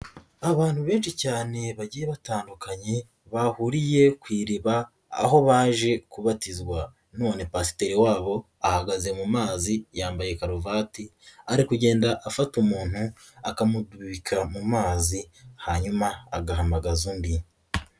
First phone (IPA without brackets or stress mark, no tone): a